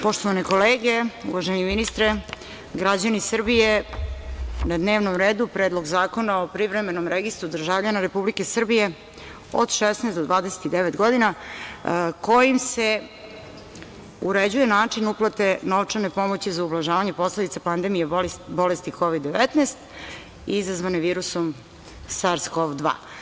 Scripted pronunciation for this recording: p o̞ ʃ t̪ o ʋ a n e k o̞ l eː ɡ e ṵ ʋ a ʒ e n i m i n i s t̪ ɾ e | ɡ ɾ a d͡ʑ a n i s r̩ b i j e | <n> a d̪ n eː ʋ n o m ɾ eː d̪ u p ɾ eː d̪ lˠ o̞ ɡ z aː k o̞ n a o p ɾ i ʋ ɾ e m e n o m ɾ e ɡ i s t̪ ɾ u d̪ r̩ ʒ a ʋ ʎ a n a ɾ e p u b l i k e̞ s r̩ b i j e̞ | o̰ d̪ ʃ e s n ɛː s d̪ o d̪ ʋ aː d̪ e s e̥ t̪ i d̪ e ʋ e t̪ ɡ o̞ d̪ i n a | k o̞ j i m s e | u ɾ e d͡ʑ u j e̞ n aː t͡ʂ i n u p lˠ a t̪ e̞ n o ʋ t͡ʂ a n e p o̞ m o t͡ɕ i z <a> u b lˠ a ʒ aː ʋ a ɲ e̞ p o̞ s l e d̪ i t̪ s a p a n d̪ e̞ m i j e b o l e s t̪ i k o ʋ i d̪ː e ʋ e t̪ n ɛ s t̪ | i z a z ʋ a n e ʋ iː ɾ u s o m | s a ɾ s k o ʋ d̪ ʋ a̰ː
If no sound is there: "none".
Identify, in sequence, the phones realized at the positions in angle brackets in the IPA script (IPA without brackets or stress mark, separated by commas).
n, a